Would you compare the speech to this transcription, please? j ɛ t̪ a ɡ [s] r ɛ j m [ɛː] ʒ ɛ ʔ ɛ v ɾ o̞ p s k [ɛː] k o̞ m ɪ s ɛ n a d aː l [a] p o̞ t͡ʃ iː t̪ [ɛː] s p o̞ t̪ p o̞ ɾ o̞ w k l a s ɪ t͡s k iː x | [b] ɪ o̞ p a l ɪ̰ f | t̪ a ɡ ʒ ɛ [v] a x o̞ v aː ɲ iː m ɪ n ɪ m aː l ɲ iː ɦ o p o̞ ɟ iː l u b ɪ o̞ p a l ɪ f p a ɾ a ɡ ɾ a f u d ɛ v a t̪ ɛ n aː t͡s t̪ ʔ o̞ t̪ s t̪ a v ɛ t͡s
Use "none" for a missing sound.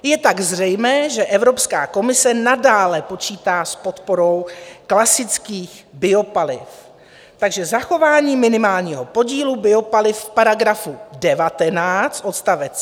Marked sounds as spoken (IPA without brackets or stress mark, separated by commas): z, ɛː, aː, ɛ, aː, b, z